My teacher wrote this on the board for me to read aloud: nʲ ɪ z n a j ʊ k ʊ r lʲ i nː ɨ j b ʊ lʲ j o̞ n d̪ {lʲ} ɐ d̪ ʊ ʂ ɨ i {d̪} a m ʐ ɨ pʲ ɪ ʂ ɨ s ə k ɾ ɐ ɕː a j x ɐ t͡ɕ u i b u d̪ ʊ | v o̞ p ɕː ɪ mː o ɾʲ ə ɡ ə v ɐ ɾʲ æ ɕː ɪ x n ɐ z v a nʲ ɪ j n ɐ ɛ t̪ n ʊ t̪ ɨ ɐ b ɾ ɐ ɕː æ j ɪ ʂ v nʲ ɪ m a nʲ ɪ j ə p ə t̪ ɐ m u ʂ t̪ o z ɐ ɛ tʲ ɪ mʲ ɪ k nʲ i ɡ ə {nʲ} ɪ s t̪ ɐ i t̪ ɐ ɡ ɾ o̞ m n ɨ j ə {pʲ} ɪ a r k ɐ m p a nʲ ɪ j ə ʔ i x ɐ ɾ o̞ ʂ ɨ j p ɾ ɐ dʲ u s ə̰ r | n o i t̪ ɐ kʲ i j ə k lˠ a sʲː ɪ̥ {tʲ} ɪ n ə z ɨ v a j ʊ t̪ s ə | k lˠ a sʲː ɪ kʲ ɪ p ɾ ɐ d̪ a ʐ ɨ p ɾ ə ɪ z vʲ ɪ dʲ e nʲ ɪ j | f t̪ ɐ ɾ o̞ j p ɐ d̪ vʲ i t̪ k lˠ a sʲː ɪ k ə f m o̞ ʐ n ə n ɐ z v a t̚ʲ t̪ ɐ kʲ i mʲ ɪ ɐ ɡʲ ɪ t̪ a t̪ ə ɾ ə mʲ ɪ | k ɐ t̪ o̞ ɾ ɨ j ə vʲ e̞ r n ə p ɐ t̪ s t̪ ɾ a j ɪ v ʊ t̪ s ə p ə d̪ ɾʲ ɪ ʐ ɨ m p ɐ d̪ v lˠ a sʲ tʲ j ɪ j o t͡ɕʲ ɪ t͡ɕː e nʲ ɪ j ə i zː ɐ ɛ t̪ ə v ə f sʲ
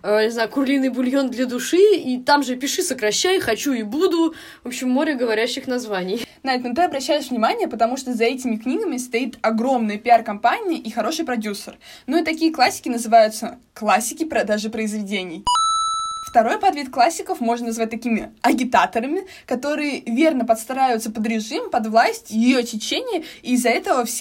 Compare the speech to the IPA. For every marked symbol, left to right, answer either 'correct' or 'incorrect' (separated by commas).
correct, incorrect, incorrect, correct, incorrect